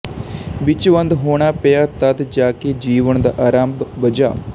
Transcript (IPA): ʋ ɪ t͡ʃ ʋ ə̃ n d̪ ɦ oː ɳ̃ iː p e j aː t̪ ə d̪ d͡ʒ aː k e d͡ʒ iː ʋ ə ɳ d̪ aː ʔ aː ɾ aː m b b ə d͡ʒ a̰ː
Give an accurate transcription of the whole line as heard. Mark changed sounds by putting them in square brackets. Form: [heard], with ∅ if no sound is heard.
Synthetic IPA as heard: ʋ ɪ t͡ʃ ʋ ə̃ n d̪ ɦ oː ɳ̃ [aː] p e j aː t̪ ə d̪ d͡ʒ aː k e d͡ʒ iː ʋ ə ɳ d̪ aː ʔ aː ɾ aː m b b ə d͡ʒ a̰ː